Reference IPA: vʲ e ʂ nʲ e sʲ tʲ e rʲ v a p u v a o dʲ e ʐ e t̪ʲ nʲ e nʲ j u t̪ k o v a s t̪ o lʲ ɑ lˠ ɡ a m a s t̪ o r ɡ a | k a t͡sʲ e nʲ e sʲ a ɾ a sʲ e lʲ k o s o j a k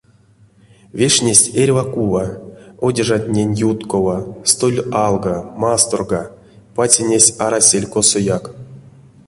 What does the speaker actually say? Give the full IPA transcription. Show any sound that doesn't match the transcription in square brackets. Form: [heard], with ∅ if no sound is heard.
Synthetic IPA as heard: vʲ e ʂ nʲ e sʲ tʲ e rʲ v a [k] u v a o dʲ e ʐ [a] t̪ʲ nʲ e nʲ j u t̪ k o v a s t̪ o lʲ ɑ lˠ ɡ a m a s t̪ o r ɡ a | [p] a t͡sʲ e nʲ e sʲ a ɾ a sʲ e lʲ k o s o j a k